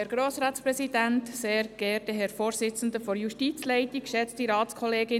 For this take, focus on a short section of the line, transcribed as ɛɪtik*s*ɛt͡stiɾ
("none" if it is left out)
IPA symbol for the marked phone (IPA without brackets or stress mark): ʃ